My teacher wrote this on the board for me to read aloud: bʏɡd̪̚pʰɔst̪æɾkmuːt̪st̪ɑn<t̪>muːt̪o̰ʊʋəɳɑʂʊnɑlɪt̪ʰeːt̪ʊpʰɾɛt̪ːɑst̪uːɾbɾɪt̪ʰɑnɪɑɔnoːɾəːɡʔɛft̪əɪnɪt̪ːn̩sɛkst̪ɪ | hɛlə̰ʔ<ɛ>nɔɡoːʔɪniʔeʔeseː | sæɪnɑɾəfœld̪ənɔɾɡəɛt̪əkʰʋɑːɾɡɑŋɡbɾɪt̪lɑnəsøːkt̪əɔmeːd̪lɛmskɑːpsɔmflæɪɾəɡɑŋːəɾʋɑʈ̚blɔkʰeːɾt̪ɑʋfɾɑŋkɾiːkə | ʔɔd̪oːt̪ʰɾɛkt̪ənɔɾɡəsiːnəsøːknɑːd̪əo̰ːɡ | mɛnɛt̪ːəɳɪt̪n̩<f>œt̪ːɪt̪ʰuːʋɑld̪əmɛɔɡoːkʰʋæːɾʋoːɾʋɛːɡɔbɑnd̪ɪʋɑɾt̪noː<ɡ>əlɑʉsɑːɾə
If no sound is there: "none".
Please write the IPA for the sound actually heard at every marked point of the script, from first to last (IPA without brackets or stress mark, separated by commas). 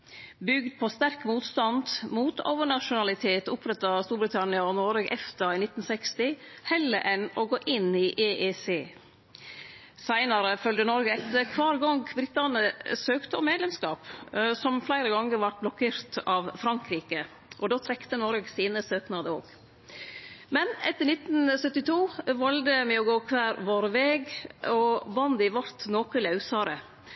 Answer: d̪, ɛ, s, k